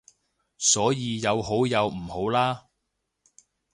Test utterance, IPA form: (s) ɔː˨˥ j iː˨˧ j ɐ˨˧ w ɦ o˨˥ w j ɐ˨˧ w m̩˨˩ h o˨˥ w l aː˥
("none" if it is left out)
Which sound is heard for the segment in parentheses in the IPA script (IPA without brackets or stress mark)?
s